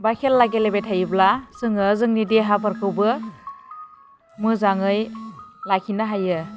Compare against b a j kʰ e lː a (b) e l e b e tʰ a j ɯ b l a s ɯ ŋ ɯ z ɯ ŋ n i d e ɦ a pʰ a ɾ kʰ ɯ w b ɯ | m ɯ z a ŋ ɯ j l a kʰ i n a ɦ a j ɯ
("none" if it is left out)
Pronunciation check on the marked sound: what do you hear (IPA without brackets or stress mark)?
ɡ